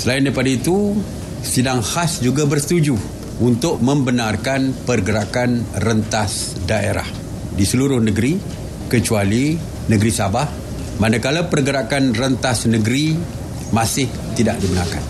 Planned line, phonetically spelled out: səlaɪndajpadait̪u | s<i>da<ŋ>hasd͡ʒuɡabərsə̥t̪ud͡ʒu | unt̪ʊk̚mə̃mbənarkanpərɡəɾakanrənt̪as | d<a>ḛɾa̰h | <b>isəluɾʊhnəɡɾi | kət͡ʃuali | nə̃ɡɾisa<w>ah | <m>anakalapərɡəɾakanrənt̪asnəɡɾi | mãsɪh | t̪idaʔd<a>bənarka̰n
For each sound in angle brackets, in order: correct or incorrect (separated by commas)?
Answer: correct, correct, correct, incorrect, incorrect, correct, incorrect